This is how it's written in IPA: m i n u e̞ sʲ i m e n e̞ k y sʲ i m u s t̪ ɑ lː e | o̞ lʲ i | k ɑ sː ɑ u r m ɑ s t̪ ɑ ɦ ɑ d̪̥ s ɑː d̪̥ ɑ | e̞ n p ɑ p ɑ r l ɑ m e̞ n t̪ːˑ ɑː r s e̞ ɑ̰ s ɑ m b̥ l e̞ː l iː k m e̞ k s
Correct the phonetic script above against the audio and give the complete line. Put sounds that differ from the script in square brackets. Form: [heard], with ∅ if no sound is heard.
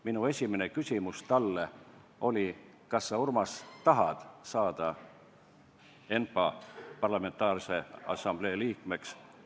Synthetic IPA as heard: m i n u e̞ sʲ i m e n e̞ k y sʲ i m u s t̪ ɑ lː e | o̞ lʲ i | k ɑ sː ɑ u r m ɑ s t̪ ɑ ɦ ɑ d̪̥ s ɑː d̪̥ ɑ | e̞ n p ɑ p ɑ r l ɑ m e̞ n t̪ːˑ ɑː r s e̞ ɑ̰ s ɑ m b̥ l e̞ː l iː k m e̞ k s